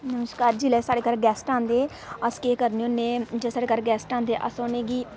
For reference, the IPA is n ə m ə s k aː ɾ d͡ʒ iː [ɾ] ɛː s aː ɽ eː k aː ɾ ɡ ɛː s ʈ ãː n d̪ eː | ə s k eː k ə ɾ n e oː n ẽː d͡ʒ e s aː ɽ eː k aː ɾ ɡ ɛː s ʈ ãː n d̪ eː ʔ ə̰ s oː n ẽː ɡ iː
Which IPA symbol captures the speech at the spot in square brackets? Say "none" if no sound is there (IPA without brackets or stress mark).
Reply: l